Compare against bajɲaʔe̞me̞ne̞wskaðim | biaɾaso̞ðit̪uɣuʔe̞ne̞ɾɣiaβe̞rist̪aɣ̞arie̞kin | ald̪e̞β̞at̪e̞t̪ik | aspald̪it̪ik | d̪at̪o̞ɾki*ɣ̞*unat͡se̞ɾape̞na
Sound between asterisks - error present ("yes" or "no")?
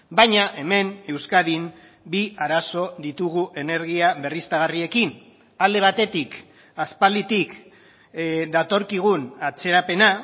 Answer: no